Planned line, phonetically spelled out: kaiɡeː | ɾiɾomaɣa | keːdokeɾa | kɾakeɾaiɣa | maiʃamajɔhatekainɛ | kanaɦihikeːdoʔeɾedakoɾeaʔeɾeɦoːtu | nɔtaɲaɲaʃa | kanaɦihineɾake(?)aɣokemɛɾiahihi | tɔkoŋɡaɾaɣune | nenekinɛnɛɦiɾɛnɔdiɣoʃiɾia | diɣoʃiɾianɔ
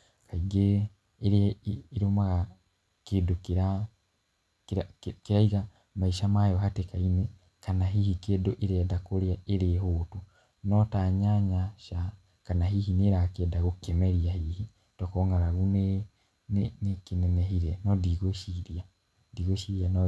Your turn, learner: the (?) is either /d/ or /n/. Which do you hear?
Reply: d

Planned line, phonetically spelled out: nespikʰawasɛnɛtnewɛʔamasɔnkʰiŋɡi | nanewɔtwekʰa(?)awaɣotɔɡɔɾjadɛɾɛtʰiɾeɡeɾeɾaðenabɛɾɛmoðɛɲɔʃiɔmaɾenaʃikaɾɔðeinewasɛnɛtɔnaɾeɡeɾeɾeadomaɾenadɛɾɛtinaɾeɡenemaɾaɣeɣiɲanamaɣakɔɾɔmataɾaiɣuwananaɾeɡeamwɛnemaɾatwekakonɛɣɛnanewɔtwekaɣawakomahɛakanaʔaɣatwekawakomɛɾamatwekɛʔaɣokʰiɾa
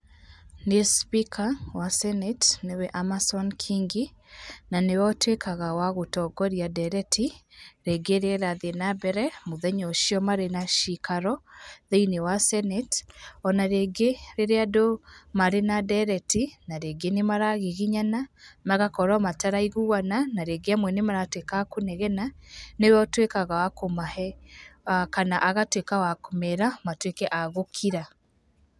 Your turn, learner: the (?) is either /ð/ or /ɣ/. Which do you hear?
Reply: ɣ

